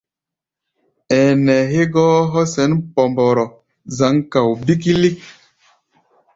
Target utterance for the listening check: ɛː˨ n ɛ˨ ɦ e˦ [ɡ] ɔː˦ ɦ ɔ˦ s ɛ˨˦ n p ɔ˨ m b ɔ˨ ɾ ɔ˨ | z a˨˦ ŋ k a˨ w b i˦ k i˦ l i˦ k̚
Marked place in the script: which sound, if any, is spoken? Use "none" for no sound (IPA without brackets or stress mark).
ɡ